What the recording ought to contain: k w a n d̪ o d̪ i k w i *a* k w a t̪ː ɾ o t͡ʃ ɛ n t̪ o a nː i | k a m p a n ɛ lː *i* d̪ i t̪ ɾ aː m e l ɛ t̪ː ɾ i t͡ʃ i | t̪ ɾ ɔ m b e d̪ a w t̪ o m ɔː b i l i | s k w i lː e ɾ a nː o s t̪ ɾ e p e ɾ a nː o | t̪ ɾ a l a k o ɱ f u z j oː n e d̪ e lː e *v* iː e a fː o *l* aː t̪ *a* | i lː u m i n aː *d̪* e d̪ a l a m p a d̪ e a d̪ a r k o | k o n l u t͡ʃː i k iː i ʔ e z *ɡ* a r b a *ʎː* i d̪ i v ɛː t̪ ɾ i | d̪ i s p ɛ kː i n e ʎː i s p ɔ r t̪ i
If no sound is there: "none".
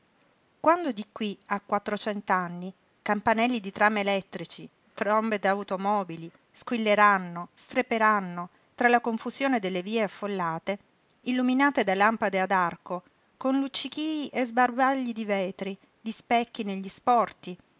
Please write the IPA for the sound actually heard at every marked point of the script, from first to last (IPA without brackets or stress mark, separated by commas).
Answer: a, i, v, lː, e, t̪, b, ʎː